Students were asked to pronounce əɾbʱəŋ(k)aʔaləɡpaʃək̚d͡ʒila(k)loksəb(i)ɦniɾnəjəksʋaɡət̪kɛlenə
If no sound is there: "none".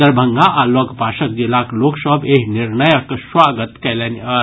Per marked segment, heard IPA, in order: ɡ, k, e

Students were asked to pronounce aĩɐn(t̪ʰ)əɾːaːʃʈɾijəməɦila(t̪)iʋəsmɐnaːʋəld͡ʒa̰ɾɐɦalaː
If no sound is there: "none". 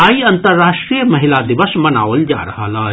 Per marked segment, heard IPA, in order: t̪, d̪

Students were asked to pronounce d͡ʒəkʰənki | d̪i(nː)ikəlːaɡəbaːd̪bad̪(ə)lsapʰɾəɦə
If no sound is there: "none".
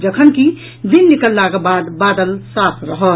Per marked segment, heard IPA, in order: nː, ə

